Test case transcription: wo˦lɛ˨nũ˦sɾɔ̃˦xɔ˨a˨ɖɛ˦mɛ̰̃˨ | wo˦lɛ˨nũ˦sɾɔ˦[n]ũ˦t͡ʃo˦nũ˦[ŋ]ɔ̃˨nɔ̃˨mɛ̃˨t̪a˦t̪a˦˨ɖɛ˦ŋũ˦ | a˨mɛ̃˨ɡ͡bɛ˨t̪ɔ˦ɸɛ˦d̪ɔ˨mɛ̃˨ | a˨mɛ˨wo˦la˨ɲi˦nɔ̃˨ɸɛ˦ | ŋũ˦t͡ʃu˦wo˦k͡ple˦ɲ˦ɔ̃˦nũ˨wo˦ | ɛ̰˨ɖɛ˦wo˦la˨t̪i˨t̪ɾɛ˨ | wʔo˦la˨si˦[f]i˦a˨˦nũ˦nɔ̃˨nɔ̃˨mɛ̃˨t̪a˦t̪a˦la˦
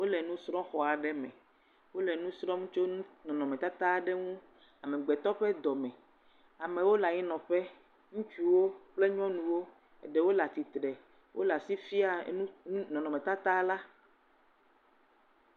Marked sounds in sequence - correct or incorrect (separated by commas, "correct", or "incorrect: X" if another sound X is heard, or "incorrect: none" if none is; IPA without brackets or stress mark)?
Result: incorrect: ŋ, incorrect: n, correct